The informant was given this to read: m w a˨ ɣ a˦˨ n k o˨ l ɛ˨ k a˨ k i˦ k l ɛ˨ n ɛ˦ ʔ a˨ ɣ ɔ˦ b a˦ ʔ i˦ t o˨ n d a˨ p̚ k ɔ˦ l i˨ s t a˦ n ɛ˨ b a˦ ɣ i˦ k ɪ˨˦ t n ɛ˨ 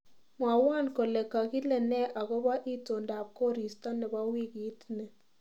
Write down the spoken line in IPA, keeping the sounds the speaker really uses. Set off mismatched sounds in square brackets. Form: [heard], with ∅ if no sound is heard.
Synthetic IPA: m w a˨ [w] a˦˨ n k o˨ l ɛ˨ k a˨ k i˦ [∅] l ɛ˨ n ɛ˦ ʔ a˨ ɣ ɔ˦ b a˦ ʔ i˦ t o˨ n d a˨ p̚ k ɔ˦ [ɾ] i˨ s t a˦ n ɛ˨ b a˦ [w] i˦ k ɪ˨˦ t n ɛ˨